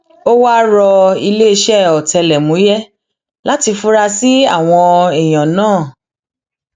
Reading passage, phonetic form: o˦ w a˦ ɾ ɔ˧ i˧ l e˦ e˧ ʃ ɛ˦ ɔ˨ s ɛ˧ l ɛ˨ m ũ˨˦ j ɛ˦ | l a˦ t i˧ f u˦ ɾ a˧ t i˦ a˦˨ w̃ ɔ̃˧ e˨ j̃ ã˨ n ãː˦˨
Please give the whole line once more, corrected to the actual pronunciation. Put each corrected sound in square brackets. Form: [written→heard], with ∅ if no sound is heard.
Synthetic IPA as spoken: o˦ w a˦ ɾ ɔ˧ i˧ l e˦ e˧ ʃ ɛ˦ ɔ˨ [s→t] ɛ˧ l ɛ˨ m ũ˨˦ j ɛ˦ | l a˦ t i˧ f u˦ ɾ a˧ [t→s] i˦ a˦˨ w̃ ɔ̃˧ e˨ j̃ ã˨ n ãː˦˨